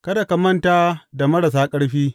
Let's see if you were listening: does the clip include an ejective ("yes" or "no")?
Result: yes